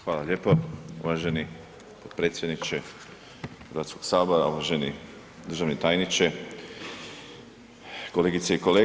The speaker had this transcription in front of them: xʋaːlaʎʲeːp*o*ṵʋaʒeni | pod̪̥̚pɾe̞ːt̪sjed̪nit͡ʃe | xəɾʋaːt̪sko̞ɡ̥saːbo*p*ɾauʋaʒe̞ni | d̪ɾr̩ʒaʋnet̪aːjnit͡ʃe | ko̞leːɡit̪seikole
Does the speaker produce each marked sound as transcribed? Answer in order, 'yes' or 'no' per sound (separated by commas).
yes, no